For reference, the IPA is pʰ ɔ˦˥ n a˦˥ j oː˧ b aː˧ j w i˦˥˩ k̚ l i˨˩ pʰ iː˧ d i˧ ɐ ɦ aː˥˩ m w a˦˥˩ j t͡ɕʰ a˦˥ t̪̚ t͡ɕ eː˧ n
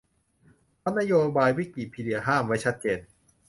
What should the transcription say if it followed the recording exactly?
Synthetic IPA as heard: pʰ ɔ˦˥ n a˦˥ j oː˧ b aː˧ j w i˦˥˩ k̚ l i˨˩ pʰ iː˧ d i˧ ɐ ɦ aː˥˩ m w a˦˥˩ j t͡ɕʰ a˦˥ t̪̚ t͡ɕ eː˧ n